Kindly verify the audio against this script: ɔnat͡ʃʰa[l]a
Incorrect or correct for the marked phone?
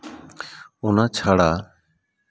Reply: incorrect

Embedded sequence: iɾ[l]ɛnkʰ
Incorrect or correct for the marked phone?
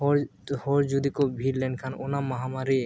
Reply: correct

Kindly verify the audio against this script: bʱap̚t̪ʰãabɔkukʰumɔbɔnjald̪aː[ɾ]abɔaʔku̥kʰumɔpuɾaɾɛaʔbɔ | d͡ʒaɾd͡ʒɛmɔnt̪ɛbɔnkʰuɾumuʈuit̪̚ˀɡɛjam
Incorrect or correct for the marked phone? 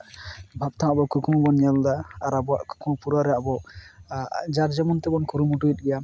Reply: correct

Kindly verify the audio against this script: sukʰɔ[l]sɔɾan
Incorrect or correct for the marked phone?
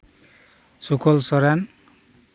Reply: correct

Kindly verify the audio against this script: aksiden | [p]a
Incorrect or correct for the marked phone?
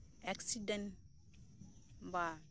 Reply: incorrect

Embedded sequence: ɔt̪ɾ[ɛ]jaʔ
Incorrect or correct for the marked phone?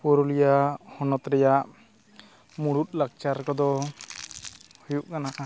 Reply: correct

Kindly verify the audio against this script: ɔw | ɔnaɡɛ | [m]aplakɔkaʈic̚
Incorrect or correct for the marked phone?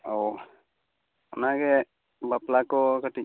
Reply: incorrect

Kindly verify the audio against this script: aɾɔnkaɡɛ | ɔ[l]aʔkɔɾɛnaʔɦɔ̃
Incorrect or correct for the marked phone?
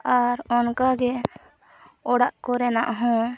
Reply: incorrect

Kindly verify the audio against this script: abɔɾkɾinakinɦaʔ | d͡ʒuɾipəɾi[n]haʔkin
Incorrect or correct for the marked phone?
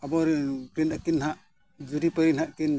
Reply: correct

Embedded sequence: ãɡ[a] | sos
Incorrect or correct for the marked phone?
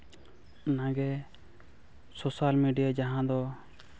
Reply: incorrect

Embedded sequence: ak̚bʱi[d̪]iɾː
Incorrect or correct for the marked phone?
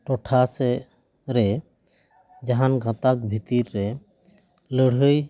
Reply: incorrect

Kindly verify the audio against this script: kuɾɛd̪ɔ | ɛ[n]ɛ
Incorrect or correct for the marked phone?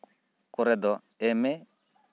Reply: incorrect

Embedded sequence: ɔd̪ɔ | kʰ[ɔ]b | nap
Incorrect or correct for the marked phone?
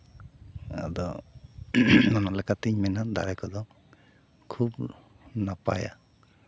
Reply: incorrect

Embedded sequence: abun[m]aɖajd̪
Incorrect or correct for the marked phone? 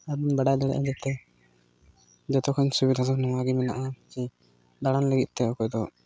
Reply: incorrect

